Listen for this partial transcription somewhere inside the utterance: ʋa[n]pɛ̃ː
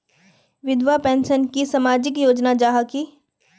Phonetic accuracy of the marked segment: incorrect: none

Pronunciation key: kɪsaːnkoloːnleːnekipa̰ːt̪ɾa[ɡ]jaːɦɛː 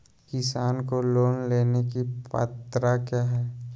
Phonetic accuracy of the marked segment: incorrect: k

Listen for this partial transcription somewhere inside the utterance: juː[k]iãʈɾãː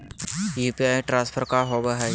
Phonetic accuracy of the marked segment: incorrect: p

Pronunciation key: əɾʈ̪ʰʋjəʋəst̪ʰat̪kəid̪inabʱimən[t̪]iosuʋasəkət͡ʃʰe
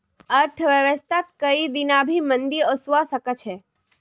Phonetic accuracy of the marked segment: incorrect: d̪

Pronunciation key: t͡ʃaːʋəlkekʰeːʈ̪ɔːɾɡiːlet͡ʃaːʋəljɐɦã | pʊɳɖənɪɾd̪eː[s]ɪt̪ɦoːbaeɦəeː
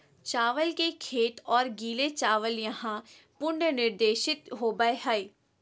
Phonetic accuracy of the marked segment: incorrect: ʃ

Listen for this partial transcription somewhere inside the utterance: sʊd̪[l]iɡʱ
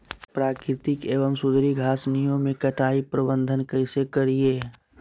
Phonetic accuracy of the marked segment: incorrect: ɾ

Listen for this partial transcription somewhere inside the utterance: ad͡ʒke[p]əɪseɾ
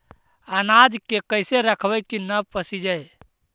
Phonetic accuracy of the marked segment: incorrect: k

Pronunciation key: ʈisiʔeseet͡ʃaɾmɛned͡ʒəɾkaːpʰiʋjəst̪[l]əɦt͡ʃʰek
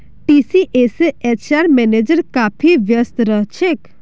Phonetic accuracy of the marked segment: incorrect: ɾ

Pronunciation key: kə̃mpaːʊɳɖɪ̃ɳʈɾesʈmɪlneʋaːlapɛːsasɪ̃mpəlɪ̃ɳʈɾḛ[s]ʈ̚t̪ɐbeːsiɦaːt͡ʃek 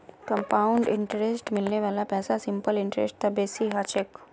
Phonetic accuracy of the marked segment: correct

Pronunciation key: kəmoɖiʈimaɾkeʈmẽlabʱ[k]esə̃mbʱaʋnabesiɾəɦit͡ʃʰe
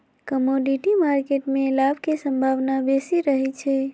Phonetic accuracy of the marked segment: correct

